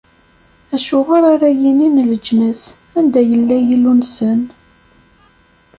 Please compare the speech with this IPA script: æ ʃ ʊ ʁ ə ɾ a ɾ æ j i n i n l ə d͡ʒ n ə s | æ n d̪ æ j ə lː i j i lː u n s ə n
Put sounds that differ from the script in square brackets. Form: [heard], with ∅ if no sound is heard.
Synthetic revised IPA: æ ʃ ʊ ʁ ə ɾ a ɾ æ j i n i n l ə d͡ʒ n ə s | æ n d̪ æ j ə lː [æ] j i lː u n s ə n